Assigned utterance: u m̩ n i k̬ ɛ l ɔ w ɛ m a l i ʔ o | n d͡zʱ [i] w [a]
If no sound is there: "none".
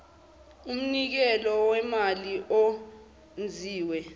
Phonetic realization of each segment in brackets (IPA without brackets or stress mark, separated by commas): iː, ɛ